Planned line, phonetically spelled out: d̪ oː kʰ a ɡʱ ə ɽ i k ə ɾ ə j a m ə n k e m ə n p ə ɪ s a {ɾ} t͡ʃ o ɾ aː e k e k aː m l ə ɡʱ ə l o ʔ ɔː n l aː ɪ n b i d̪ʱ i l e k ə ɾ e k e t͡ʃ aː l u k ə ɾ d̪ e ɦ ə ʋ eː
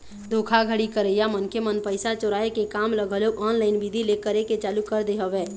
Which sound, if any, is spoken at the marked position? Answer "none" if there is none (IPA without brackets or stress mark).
none